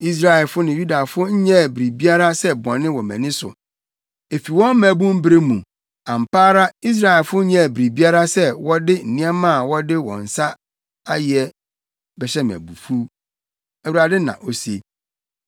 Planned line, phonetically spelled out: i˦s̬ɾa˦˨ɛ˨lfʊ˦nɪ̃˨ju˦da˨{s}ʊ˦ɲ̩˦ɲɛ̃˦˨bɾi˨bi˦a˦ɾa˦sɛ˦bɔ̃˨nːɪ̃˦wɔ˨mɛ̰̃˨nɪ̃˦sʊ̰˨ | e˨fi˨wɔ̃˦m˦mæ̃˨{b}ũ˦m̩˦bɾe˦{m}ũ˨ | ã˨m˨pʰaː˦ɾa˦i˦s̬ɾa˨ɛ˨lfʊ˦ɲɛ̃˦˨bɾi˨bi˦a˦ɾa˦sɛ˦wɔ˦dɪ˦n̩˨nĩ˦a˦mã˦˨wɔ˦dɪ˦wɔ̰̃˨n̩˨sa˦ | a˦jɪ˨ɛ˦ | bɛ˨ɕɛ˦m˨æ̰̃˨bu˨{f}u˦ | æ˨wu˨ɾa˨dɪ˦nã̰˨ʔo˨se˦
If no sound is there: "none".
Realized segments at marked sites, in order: f, b, m, f

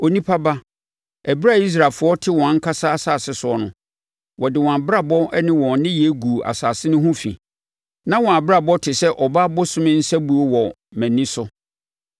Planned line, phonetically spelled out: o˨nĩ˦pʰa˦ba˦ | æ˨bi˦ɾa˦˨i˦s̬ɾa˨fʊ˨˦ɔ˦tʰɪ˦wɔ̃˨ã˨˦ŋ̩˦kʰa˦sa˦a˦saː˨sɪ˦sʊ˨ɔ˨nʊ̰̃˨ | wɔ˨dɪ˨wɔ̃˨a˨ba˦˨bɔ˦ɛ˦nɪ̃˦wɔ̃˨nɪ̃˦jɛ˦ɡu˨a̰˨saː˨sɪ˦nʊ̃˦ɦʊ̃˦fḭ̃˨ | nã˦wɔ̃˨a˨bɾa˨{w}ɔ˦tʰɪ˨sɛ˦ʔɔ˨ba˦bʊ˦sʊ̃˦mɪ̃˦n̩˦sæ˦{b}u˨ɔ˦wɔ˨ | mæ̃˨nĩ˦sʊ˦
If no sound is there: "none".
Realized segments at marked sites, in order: b, b

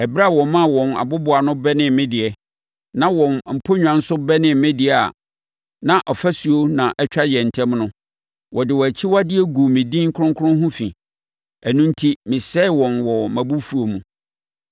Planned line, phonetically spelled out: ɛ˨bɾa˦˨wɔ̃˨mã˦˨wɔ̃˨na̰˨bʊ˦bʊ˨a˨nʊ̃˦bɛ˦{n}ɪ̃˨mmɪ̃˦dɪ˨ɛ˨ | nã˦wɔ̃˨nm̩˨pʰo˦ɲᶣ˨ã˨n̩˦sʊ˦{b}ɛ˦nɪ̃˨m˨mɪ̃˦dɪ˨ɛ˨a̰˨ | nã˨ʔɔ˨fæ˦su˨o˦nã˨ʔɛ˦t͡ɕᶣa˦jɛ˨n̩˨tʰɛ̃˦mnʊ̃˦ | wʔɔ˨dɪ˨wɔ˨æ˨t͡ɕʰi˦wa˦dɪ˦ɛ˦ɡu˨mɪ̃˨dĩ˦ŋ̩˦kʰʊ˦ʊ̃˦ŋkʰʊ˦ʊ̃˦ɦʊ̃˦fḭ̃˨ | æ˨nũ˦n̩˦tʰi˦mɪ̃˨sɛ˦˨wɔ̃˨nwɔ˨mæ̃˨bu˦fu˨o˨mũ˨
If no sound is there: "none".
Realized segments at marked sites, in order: n, b

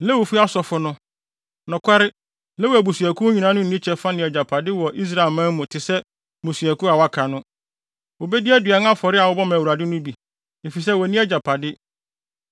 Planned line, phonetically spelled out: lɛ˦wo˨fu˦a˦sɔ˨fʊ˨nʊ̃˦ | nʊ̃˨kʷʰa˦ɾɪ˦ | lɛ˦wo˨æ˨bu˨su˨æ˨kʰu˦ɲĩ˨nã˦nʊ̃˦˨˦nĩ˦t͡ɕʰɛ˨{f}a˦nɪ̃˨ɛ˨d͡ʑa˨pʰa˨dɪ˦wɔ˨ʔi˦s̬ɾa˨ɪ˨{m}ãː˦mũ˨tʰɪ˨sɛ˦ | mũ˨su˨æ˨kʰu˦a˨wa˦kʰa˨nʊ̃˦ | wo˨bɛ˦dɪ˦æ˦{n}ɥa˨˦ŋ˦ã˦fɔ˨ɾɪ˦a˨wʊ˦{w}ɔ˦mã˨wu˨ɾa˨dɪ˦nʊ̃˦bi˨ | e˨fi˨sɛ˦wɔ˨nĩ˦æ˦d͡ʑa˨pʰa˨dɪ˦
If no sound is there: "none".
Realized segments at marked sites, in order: f, m, d, b

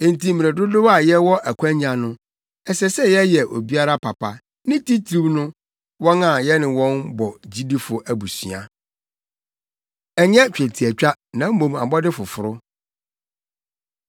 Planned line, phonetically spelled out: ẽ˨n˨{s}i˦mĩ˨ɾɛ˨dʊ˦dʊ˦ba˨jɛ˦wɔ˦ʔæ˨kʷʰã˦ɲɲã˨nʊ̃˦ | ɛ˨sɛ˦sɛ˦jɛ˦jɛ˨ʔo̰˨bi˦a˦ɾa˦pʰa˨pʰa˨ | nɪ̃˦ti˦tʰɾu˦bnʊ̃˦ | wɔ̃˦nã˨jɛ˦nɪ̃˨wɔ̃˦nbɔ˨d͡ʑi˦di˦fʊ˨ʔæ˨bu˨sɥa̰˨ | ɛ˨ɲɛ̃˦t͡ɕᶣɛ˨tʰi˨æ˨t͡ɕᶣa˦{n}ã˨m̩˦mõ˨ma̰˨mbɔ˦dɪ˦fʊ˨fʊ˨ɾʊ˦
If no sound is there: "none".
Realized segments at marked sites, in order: t, n

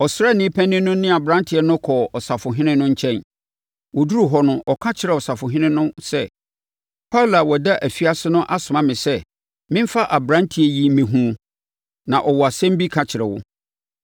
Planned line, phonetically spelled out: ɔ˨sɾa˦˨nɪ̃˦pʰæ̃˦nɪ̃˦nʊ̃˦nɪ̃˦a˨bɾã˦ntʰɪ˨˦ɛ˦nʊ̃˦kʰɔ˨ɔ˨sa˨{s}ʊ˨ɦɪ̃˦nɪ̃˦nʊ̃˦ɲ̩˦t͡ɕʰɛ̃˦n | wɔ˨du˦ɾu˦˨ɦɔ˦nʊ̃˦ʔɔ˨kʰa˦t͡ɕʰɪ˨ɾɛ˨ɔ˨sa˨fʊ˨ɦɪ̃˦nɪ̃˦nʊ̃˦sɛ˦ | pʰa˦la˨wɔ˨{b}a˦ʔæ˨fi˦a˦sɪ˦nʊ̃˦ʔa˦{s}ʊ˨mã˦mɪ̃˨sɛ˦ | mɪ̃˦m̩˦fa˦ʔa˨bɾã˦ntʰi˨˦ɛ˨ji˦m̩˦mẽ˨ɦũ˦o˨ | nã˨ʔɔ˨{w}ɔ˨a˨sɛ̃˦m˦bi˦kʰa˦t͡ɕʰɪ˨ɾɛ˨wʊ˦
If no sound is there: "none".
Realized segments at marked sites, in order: f, d, s, w

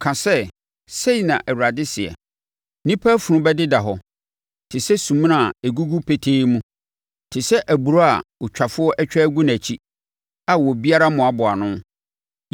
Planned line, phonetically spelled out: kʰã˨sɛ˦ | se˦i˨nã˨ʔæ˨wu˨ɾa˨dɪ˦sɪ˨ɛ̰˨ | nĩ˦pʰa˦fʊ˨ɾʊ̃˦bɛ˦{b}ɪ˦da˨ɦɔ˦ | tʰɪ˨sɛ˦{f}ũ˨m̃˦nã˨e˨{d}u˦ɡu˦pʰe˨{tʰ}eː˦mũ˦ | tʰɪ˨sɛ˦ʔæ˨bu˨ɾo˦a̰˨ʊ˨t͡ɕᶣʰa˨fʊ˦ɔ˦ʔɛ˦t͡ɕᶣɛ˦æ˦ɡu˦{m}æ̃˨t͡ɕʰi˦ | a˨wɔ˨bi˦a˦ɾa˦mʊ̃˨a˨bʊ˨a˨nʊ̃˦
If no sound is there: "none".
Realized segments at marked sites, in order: d, s, ɡ, tʰ, n

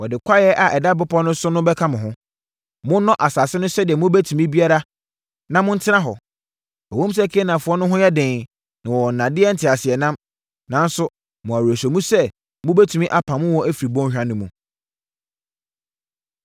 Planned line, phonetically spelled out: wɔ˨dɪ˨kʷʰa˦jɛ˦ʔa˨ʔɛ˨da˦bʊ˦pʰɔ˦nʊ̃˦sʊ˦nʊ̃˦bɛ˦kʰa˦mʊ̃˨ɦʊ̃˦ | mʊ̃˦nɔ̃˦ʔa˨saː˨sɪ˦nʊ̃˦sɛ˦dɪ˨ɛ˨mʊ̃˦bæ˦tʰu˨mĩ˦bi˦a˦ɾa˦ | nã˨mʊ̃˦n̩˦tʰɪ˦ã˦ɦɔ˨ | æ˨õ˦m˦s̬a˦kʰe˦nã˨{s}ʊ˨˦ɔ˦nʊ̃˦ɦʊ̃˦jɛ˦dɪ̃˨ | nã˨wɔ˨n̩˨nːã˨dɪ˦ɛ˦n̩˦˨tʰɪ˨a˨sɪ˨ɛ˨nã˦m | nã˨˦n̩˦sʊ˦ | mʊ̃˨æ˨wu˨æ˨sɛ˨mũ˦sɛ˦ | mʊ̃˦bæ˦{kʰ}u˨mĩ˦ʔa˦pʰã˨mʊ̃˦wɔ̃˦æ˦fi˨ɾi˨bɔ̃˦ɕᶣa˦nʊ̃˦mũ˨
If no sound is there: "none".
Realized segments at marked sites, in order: f, tʰ

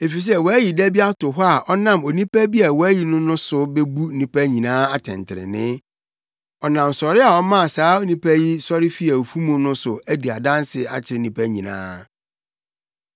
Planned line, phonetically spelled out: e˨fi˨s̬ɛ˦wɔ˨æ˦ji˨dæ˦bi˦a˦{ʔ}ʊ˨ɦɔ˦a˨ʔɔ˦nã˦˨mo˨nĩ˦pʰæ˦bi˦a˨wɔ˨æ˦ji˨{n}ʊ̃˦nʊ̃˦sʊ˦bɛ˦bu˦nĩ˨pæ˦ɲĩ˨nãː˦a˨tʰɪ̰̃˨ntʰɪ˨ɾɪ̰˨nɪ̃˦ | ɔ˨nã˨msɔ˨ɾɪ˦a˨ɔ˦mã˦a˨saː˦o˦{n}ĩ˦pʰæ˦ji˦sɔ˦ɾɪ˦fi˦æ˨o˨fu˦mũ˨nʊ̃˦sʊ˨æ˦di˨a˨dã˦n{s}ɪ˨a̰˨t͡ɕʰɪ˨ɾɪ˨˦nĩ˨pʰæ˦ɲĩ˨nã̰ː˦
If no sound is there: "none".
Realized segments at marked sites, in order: t, n, n, s

